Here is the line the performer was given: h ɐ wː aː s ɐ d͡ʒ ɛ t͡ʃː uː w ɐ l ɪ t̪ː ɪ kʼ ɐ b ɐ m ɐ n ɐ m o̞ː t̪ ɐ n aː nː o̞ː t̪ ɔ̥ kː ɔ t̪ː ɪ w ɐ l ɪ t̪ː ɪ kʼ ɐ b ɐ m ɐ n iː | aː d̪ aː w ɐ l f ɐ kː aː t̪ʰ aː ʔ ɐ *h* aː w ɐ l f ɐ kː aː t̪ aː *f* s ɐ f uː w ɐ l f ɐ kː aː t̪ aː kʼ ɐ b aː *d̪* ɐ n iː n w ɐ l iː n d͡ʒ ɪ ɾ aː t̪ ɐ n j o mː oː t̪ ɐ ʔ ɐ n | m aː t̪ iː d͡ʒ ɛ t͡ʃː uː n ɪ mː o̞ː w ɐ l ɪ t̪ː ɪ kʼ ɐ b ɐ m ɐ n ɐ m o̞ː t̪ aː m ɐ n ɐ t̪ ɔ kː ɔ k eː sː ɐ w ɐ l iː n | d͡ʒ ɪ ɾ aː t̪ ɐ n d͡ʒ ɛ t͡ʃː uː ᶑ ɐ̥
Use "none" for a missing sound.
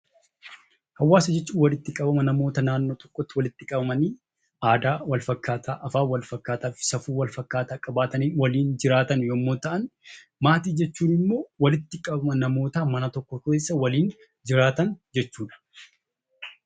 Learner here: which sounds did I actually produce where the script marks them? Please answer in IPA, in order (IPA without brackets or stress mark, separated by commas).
f, f, t̪